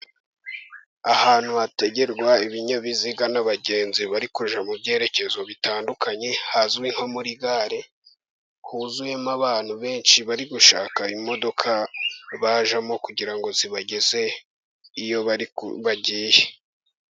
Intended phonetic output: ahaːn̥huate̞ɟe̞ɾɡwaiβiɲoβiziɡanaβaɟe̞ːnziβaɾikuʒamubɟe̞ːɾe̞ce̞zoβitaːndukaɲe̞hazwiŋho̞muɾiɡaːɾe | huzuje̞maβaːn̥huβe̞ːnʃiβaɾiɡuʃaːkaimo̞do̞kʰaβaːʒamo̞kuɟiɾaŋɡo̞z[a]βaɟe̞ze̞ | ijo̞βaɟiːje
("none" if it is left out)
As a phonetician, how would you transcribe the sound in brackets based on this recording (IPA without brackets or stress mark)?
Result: i